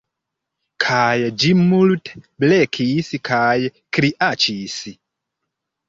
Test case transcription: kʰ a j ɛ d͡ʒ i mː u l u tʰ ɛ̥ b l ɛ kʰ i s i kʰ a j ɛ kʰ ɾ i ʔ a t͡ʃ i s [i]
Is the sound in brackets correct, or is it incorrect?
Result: correct